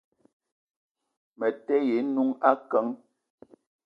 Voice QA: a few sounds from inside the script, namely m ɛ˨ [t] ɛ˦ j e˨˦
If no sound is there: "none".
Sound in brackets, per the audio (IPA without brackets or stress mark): t